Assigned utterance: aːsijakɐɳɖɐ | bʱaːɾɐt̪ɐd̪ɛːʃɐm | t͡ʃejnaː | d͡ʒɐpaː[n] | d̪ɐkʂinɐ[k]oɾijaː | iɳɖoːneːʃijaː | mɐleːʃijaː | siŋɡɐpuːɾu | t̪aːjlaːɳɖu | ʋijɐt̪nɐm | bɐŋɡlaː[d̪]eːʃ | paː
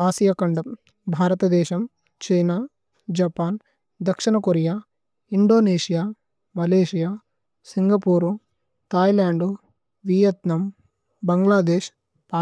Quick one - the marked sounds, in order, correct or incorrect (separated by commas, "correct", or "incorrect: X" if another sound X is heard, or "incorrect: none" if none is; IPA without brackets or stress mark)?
correct, correct, correct